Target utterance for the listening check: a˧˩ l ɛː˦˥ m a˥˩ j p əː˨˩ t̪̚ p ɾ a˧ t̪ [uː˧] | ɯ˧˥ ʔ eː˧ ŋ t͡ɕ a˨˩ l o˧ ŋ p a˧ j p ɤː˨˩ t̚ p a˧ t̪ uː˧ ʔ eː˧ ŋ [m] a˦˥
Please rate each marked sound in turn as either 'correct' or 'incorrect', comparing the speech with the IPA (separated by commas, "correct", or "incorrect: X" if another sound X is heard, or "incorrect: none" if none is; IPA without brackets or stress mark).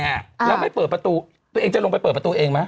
correct, correct